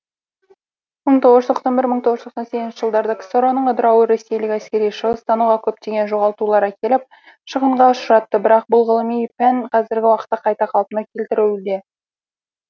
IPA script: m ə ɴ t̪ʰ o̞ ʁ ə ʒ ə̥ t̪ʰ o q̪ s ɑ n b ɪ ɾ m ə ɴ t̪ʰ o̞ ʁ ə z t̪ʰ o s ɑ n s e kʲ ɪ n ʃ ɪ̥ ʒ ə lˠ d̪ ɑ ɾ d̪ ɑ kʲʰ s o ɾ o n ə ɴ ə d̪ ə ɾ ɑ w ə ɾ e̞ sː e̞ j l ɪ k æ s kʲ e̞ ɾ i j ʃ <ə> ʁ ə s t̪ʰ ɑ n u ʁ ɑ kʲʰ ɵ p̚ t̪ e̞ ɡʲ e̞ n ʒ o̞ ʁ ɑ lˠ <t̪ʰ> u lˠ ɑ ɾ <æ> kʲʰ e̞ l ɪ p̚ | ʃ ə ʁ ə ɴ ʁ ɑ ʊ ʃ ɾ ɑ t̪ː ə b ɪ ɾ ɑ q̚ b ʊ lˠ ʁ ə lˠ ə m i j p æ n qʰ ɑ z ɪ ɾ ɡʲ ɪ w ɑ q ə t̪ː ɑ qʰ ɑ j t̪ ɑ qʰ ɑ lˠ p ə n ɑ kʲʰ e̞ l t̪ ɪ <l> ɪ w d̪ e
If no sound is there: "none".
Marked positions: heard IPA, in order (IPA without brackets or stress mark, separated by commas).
ə, t̪, æ, ɾ